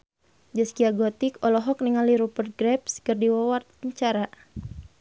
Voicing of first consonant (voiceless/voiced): voiced